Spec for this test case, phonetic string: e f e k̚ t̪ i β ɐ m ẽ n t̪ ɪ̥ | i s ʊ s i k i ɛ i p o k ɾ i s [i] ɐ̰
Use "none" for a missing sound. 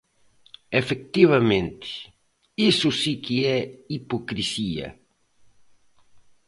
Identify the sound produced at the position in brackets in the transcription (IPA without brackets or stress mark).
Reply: i